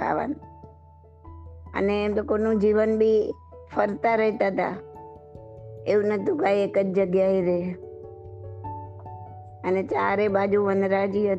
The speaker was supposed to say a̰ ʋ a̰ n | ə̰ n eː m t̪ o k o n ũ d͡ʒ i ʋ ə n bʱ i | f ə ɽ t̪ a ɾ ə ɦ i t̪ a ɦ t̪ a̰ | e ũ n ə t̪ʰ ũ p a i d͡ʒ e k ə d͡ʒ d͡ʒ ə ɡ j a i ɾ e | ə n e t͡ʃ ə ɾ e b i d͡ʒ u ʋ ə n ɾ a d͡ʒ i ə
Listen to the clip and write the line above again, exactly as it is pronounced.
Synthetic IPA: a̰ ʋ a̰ n | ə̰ n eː m t̪ o k o n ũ d͡ʒ i ʋ ə n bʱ i | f ə ɾ t̪ a ɾ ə ɦ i t̪ a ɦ t̪ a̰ | e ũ n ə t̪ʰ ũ k a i e k ə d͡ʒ d͡ʒ ə ɡ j a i ɾ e | ə n e t͡ʃ a ɾ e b a d͡ʒ u ʋ ə n ɾ a d͡ʒ i ə